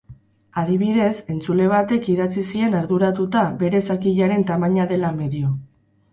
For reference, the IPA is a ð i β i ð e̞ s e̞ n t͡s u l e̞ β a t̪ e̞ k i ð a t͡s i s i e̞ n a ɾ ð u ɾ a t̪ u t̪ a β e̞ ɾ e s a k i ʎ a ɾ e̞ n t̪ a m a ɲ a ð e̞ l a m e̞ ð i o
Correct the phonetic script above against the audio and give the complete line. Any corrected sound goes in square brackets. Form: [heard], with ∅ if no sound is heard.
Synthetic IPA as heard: a ð i β i ð e̞ s e̞ n t͡s u l e̞ β a t̪ e̞ k i ð a t͡s i s i e̞ n a ɾ ð u ɾ a t̪ u t̪ a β e̞ ɾ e s a k i ʎ a ɾ e̞ n t̪ a m a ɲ a ð e̞ l a m e̞ ð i o

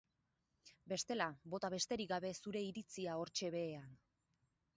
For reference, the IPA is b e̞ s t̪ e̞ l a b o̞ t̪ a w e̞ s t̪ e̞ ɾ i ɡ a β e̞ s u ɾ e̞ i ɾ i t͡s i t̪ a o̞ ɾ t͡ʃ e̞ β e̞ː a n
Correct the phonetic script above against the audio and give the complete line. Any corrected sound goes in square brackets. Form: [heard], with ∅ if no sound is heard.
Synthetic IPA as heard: b e̞ s t̪ e̞ l a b o̞ t̪ a [β] e̞ s t̪ e̞ ɾ i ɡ a β e̞ s u ɾ e̞ i ɾ i t͡s i [∅] a o̞ ɾ t͡ʃ e̞ β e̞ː a n

